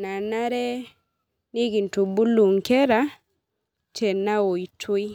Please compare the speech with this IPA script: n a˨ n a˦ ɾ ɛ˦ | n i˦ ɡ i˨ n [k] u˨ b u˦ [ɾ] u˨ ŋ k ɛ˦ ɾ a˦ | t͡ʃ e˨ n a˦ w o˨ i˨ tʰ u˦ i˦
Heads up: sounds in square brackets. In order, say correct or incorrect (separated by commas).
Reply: incorrect, incorrect